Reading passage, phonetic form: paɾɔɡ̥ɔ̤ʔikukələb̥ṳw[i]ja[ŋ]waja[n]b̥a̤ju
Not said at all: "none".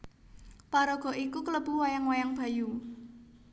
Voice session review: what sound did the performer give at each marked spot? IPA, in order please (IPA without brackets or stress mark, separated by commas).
a, ŋ, ŋ